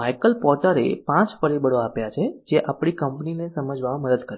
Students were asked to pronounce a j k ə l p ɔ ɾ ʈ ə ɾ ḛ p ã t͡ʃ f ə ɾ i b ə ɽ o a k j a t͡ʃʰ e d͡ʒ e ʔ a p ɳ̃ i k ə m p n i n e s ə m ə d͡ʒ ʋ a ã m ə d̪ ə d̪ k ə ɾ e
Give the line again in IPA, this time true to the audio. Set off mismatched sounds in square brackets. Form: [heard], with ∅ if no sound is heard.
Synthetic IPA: a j k ə l p ɔ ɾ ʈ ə ɾ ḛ p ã t͡ʃ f ə ɾ i b ə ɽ o a [p] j a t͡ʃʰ e d͡ʒ e ʔ a p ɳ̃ i k ə m p n i n e s ə m ə d͡ʒ ʋ a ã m ə d̪ ə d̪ k ə ɾ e